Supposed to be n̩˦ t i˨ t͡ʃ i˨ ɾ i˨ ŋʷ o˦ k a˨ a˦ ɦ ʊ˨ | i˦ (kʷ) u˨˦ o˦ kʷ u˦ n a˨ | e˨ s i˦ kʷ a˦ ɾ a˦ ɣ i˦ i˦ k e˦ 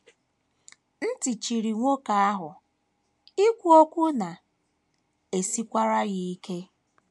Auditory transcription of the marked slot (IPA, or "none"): kʷ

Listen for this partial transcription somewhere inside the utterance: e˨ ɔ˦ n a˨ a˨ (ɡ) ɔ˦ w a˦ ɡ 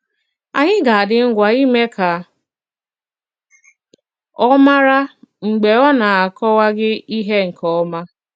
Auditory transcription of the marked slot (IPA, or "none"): k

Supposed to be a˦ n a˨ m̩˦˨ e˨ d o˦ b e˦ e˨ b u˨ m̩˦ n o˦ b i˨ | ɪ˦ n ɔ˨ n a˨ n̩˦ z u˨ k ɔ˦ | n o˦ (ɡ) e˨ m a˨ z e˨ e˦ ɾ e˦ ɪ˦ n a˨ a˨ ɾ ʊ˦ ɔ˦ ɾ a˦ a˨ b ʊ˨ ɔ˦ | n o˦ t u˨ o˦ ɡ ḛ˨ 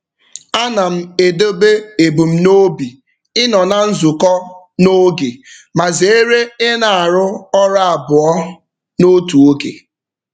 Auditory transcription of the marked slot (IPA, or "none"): ɡ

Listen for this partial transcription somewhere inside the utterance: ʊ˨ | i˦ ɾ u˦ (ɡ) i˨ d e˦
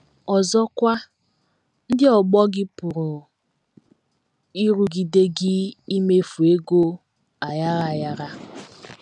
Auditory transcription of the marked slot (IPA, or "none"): ɡ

